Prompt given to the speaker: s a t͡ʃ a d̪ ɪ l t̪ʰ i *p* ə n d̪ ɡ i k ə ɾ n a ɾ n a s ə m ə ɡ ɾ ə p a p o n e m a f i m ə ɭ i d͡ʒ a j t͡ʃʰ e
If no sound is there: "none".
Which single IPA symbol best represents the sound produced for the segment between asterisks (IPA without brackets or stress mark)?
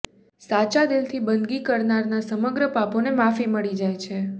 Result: b